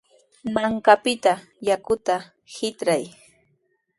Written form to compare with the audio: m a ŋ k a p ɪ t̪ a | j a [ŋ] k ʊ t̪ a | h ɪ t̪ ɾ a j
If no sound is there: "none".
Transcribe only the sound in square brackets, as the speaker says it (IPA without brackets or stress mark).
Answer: none